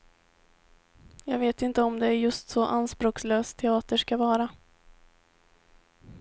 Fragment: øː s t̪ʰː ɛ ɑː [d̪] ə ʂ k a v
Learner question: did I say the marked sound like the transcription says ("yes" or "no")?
no